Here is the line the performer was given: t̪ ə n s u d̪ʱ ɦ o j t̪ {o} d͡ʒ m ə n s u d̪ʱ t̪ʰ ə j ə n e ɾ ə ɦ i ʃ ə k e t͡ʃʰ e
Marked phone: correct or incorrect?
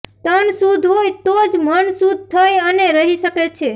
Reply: correct